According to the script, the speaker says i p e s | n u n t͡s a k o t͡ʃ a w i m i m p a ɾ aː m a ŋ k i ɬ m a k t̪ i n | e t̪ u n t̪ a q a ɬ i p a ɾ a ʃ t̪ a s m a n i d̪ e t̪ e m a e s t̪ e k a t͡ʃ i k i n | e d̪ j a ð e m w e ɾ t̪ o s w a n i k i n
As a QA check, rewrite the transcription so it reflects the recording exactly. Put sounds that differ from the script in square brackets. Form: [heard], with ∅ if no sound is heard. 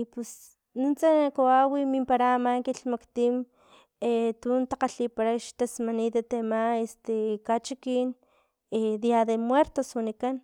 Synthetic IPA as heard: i p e s | n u n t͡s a k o [∅] a w i m i m p a ɾ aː m a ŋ k i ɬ m a k t̪ i [m] | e t̪ u n t̪ a q a ɬ i p a ɾ a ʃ t̪ a s m a n i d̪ e t̪ e m a e s t̪ e k a t͡ʃ i k i n | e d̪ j a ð e m w e ɾ t̪ o s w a n i k [a] n